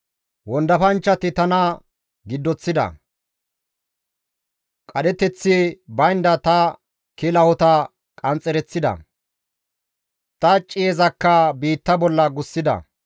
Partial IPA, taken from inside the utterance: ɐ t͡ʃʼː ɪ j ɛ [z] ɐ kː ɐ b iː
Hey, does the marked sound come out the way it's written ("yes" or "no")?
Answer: yes